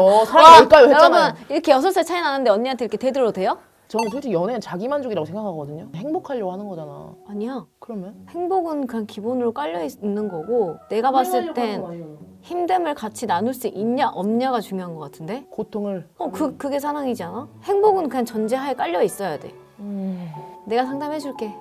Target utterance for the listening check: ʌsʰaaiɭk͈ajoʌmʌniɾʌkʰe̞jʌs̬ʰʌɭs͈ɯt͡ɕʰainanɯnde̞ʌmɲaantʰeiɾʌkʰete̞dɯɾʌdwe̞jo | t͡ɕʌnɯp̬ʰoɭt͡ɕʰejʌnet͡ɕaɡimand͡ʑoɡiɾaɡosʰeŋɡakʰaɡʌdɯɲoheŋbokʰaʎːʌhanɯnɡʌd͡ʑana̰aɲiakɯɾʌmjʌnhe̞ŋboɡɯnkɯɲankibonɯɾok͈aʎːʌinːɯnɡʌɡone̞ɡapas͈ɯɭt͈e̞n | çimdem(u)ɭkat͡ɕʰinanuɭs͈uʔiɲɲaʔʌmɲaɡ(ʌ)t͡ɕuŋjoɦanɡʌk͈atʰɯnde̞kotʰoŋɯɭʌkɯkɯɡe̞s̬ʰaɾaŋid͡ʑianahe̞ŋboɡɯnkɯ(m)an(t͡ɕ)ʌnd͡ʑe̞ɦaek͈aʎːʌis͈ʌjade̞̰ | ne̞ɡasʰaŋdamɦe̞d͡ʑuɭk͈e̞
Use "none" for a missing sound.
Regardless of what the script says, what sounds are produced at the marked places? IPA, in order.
ɯ, a, ɲ, t͡ɕ

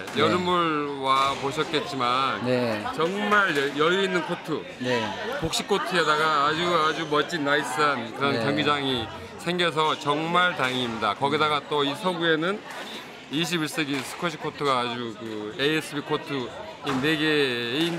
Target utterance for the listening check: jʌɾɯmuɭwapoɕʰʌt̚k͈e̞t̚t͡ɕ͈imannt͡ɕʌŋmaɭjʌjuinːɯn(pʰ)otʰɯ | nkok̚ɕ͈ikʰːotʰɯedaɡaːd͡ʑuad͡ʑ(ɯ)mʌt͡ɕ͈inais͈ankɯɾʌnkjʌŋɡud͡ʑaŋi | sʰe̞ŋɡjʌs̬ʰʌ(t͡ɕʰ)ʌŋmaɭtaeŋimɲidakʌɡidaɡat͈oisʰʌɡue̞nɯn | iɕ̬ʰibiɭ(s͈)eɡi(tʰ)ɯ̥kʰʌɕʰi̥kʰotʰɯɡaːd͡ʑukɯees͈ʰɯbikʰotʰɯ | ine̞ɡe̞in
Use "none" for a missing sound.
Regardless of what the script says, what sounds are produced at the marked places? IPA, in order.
kʰ, u, t͡ɕ, s͈, sʰ

